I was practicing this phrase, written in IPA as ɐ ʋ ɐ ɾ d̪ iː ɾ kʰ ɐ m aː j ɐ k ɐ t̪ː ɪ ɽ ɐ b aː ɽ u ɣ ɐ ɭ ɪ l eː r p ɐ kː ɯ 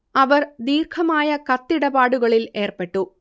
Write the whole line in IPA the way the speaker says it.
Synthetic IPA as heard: ɐ ʋ ɐ ɾ d̪ iː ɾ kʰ ɐ m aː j ɐ k ɐ t̪ː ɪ ɽ ɐ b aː ɽ ɯ ɣ ɐ ɭ ɪ l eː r p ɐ ʈː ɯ